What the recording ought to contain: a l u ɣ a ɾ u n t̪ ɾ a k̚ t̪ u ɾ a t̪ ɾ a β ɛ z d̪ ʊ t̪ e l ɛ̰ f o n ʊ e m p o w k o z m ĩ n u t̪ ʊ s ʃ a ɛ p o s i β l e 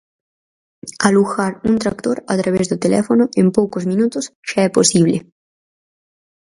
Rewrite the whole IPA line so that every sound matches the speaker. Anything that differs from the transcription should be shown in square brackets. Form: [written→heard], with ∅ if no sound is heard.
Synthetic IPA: a l u [ɣ→x] a ɾ u n t̪ ɾ a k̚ t̪ [u→o] ɾ a t̪ ɾ a β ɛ z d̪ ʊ t̪ e l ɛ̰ f o n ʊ e m p o w k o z m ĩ n u t̪ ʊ s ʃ a ɛ p o s i β l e